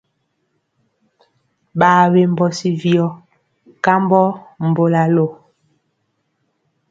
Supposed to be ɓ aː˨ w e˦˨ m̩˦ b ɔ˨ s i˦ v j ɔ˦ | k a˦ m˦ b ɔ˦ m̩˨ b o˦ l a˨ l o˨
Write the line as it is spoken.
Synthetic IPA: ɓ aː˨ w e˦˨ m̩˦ b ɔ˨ s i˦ v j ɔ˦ | k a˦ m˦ b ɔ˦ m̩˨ b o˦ l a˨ l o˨